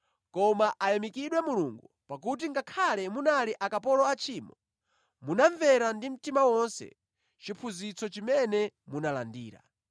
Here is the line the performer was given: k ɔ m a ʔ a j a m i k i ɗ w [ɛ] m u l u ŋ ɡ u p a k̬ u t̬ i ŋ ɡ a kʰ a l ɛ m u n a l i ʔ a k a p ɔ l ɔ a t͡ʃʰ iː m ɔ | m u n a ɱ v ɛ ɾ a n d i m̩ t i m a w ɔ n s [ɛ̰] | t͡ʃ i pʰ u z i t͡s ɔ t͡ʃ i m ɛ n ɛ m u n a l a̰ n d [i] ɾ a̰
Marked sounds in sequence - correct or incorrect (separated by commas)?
correct, correct, incorrect